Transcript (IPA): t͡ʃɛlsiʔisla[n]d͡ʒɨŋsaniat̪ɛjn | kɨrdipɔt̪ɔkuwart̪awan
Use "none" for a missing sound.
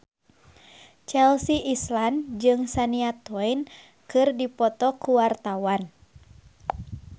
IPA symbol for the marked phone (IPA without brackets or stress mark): n